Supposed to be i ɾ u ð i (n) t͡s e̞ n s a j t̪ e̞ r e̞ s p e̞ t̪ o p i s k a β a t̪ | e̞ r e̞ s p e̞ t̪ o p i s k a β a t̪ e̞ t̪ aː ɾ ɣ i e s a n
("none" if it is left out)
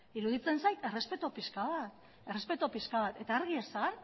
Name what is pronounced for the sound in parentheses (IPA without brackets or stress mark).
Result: none